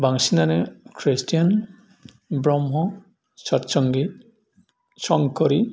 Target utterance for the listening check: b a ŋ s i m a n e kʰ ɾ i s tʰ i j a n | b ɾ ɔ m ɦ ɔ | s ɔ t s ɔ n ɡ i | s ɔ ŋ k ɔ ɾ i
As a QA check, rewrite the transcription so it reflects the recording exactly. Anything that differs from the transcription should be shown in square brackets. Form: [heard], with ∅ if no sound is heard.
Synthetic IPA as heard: b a ŋ s i [n] a n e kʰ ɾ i s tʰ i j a n | b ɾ ɔ m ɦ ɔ | s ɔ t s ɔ [ŋ] ɡ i | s ɔ ŋ k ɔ ɾ i